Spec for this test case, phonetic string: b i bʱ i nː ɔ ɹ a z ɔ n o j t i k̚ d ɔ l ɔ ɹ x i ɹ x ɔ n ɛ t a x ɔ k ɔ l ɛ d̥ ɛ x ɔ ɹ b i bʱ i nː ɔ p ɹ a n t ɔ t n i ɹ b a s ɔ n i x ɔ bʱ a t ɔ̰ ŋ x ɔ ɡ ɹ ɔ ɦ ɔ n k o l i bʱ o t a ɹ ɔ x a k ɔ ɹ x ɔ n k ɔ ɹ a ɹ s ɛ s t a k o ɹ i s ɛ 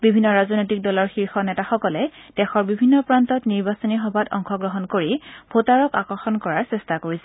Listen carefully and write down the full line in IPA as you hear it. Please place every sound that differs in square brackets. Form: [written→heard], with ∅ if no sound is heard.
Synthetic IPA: b i bʱ i nː ɔ ɹ a z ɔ n o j t i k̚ d ɔ l ɔ ɹ x i ɹ x ɔ n ɛ t a x ɔ k ɔ l ɛ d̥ ɛ x ɔ ɹ b i bʱ i nː ɔ p ɹ a n t ɔ t n i ɹ b a s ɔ n i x ɔ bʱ a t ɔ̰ ŋ x ɔ ɡ ɹ ɔ ɦ ɔ n k o [l→ɹ] i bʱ o t a ɹ ɔ [x→k] a k ɔ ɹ x ɔ n k ɔ ɹ a ɹ s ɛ s t a k o ɹ i s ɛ